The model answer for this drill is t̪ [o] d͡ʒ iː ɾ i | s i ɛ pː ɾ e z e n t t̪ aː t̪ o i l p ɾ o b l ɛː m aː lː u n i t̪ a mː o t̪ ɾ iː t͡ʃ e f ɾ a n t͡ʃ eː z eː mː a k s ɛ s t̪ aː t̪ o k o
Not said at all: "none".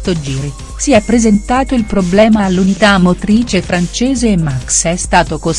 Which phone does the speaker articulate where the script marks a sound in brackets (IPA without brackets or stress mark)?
o